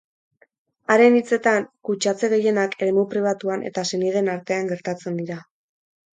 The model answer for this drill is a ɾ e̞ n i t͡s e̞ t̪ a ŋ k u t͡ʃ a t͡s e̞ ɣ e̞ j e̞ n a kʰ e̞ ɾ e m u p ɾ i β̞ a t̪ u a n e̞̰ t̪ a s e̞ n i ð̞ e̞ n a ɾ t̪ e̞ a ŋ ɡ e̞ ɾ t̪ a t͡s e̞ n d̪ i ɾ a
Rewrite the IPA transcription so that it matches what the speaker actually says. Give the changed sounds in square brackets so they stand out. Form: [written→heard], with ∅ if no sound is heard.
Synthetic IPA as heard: a ɾ e̞ n i t͡s e̞ t̪ a ŋ k u t͡ʃ a t͡s e̞ ɣ e̞ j e̞ n a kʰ e̞ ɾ e m u p ɾ i β̞ a t̪ u a n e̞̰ t̪ a s e̞ n i ð̞ e̞ n a ɾ t̪ e̞ a ŋ ɡ e̞ ɾ t̪ a t͡s e̞ n d̪ i ɾ a